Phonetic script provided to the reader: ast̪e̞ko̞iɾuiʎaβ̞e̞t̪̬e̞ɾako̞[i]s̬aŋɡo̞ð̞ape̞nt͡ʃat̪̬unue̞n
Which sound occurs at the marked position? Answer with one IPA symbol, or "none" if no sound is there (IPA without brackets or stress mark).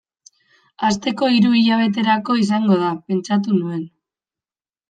i